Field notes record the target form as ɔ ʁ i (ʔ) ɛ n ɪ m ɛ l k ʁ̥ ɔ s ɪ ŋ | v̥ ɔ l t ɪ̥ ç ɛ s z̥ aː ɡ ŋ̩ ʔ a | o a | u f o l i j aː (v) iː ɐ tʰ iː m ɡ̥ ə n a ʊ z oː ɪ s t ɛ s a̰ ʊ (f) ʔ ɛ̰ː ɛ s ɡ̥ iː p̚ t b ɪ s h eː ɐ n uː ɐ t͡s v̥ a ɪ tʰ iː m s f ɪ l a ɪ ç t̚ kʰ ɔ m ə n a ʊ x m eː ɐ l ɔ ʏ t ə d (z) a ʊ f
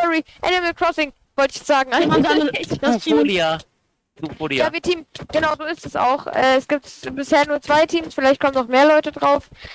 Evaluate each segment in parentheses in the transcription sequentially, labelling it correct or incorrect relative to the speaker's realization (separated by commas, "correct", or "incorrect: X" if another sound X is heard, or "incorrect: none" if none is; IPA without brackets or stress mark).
correct, correct, incorrect: x, incorrect: ʁ